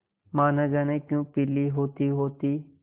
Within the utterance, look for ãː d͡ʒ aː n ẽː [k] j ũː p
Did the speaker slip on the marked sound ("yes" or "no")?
no